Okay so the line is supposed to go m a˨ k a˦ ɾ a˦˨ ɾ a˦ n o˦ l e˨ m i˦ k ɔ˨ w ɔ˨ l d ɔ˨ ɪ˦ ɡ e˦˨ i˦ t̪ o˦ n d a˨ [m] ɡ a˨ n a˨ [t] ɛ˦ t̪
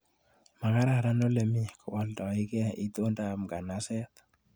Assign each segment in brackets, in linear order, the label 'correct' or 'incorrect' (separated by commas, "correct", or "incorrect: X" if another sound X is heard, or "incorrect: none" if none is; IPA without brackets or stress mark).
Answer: correct, incorrect: s